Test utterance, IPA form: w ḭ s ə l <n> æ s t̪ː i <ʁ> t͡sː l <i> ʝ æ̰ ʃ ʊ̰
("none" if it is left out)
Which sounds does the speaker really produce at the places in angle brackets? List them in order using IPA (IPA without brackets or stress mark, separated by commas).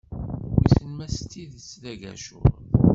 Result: m, ð, æ